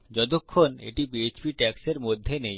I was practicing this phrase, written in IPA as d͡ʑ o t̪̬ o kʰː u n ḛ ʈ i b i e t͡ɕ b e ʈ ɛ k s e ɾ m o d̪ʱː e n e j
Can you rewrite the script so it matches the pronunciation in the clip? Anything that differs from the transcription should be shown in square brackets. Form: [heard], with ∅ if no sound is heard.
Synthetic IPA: d͡ʑ [ɔ] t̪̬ o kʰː [o] n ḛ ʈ i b i e t͡ɕ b [i] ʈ ɛ k s e ɾ m o d̪ʱː e n e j

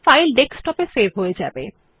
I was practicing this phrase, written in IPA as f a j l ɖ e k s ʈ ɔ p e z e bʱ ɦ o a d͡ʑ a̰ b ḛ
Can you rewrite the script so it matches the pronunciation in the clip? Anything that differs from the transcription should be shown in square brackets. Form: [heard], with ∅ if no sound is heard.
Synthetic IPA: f a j l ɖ e k s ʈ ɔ p e [s] e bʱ ɦ o [e] d͡ʑ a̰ b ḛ

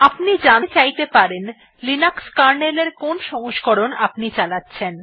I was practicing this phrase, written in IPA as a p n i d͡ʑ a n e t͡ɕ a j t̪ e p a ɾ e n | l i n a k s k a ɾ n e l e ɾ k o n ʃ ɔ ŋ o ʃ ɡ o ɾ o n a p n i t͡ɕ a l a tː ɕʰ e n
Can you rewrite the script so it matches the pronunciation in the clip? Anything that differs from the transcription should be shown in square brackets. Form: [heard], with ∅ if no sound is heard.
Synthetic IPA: a p n i d͡ʑ a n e t͡ɕ a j t̪ e p a ɾ e n | l i n a k s k a ɾ n e l e ɾ k o n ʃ ɔ ŋ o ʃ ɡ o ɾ o n a p n i t͡ɕ a l a tː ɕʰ e n

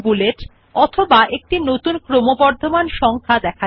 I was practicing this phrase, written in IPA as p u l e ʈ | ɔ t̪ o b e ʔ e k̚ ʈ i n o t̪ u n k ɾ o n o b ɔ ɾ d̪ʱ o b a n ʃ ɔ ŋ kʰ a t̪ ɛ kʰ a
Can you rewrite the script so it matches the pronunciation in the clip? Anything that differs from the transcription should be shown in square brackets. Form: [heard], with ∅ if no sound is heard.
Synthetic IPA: [b] u l e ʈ | ɔ [t̪ʰ] o b [a] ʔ e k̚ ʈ i n o t̪ u n k ɾ o [m] o b ɔ ɾ d̪ʱ o [m] a n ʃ ɔ ŋ kʰ a [d̪] ɛ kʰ a

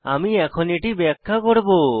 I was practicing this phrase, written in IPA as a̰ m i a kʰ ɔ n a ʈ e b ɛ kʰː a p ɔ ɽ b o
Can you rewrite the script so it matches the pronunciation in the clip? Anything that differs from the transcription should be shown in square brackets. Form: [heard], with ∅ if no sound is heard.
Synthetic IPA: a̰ m i [ɛ] kʰ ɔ n [i] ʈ [i] b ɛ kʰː a [k] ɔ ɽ b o

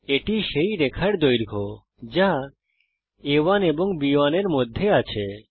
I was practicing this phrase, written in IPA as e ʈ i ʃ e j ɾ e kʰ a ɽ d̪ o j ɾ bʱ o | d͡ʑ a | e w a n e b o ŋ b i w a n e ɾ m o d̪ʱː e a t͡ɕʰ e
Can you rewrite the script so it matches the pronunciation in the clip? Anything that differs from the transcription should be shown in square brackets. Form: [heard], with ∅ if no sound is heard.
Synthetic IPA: e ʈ i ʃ e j ɾ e kʰ a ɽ d̪ o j ɾ [ɡʱ] o | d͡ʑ a | e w a n e b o ŋ b i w a n e ɾ m o d̪ʱː e a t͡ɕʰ e

